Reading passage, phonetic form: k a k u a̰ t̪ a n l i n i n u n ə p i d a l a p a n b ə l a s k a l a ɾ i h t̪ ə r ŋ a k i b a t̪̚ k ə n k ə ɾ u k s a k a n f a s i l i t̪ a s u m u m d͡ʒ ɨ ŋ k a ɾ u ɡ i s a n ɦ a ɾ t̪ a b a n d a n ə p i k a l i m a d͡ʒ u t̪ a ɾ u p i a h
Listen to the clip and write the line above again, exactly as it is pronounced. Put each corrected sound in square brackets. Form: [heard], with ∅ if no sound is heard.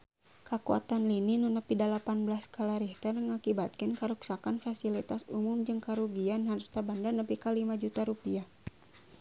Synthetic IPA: k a k u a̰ t̪ a n l i n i n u n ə p i d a l a p a n b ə l a s k a l a ɾ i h t̪ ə r ŋ a k i b a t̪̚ k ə n k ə ɾ u k s a k a n f a s i l i t̪ a s u m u m d͡ʒ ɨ ŋ k a ɾ u ɡ i [∅] a n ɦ a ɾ t̪ a b a n d a n ə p i k a l i m a d͡ʒ u t̪ a ɾ u p i a h